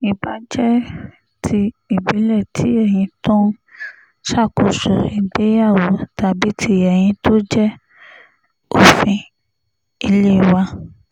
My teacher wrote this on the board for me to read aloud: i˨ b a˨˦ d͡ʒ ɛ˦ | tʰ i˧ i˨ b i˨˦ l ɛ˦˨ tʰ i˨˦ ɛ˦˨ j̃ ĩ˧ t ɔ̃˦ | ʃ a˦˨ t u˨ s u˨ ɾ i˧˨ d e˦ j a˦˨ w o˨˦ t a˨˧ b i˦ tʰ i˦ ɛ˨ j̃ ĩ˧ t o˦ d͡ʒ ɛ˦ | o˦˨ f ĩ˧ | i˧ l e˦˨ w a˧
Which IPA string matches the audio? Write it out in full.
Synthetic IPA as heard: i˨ b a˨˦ d͡ʒ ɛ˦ | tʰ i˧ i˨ b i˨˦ l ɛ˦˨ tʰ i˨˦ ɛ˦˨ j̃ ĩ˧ t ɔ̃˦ | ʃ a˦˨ k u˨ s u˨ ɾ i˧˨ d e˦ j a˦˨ w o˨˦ t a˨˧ b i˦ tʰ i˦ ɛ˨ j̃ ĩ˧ t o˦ d͡ʒ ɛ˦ | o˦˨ f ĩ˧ | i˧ l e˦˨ w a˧